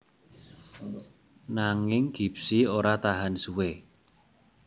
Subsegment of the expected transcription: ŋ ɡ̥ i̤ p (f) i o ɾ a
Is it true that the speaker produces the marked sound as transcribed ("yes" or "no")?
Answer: no